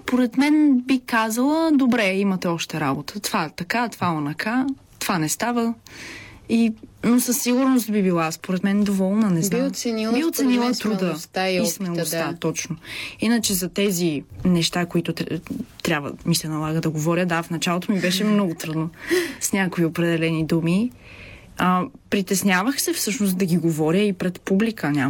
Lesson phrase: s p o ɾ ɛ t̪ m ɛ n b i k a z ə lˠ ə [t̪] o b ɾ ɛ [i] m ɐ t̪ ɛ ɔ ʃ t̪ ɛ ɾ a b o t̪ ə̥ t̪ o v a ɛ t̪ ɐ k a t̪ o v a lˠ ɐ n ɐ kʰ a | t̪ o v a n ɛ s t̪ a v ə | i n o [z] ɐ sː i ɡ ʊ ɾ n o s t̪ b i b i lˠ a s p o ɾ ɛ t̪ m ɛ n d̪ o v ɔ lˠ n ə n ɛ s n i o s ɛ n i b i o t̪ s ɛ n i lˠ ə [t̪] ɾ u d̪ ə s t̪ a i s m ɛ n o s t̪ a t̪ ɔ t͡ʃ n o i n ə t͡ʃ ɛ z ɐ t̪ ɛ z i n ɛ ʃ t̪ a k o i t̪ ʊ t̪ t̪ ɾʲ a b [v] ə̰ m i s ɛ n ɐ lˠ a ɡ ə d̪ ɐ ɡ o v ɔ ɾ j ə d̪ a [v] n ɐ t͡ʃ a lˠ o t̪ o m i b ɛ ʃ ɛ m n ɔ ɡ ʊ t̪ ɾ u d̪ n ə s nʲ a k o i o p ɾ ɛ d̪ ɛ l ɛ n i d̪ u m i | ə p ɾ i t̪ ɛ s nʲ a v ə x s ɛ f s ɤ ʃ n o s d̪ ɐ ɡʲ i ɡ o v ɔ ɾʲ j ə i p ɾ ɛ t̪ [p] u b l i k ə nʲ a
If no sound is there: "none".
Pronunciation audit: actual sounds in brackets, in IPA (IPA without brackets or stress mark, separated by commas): d̪, i, s, t̪, v, f, p